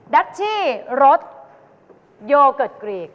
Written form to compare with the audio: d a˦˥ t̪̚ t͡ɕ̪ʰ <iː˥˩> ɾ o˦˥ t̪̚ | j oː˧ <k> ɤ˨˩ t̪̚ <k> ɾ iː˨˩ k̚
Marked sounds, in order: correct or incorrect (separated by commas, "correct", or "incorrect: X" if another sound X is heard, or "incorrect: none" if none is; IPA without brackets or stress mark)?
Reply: correct, correct, correct